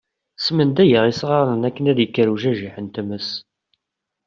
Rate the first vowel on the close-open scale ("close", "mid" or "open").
mid